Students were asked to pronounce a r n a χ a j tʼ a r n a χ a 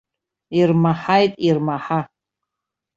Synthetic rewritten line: i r m a ħ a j tʼ i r m a ħ a